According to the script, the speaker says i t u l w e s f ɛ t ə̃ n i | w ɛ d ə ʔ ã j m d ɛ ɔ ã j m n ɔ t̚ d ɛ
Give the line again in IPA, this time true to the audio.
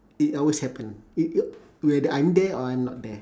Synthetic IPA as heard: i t ɔ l w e s h ɛ p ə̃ n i | w ɛ d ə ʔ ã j m d ɛ ɔ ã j m n ɔ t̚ d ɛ